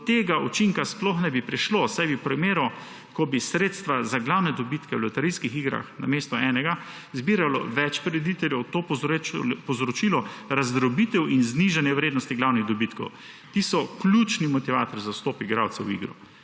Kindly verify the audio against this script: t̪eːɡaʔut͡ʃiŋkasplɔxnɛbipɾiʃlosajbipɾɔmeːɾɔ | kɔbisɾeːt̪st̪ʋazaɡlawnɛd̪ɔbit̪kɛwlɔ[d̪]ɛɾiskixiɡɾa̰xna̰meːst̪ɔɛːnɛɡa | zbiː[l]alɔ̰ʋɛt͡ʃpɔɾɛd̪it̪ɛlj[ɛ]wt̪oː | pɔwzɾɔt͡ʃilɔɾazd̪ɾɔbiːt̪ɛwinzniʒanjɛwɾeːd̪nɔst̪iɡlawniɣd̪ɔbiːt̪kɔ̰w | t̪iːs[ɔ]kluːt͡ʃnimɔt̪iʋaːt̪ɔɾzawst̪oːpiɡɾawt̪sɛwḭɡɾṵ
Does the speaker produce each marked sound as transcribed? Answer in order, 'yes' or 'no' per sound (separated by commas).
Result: no, no, yes, yes